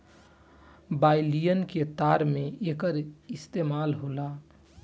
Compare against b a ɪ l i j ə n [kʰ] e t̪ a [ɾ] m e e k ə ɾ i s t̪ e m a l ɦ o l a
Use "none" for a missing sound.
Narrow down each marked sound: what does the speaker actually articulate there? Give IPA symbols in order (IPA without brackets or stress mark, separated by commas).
k, ɾ